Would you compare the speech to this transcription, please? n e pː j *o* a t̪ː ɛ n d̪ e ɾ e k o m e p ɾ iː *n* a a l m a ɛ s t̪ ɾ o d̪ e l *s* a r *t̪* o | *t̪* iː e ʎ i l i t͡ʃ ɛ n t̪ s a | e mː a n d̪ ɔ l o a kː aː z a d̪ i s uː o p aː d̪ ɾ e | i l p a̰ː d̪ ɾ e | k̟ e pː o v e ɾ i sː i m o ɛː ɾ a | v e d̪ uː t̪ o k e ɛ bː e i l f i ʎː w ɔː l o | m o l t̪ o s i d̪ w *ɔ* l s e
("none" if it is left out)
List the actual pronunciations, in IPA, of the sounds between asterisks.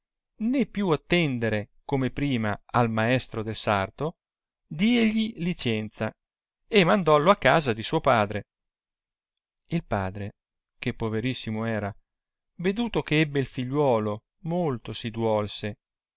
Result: u, m, s, t̪, d̪, ɔ

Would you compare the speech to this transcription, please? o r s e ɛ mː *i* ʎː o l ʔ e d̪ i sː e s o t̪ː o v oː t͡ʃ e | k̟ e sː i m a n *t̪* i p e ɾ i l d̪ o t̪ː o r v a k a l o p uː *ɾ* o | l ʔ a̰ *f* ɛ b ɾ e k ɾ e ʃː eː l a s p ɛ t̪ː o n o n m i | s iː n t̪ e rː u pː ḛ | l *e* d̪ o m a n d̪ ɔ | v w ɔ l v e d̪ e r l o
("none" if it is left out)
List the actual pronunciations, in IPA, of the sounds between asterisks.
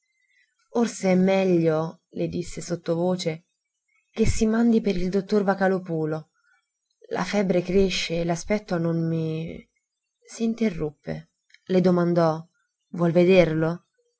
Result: ɛ, d̪, l, f, e

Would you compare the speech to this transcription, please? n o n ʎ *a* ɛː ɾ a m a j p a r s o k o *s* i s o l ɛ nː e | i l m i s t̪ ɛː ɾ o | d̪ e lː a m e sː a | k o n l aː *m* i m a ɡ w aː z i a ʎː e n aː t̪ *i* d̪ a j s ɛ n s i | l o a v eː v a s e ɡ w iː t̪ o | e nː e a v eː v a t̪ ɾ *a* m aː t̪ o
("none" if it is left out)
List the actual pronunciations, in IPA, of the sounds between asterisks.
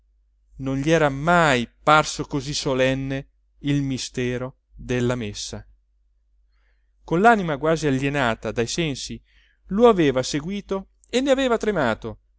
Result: i, z, n, a, e

